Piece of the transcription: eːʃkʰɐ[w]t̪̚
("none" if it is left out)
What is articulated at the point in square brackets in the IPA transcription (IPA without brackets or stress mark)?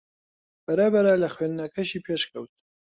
w